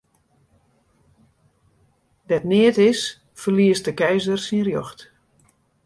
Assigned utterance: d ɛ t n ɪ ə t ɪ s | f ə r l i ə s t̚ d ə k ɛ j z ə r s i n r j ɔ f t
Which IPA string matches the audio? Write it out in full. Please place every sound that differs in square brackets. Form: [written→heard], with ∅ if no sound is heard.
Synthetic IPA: d ɛ t n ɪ ə t ɪ s | f ə r l i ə s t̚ d ə k ɛ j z ə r s i n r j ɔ [f→x] t